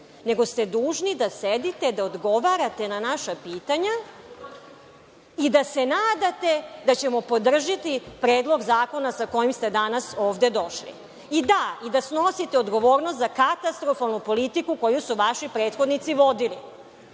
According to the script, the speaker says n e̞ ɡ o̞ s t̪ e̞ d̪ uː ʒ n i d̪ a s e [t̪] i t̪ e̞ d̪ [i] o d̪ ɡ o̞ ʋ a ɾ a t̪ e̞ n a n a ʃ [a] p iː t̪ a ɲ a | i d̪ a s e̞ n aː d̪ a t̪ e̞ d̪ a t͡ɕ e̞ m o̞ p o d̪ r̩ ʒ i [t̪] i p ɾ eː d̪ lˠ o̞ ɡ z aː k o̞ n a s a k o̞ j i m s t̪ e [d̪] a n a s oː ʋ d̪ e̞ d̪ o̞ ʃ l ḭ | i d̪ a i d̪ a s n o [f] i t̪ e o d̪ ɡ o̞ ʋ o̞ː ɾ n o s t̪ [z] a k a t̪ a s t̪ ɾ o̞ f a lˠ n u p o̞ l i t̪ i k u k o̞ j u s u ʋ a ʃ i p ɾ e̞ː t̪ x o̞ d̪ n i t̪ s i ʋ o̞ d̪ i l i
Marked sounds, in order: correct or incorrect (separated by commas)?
incorrect, incorrect, correct, correct, correct, incorrect, correct